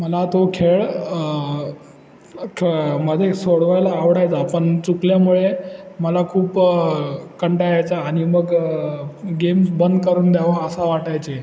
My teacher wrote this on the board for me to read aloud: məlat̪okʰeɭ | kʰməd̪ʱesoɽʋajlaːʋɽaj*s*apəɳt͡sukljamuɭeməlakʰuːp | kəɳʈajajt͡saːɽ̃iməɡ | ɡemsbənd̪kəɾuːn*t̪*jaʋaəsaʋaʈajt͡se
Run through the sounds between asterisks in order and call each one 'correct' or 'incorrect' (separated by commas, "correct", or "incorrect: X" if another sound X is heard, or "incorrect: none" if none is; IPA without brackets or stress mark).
incorrect: t͡s, incorrect: d̪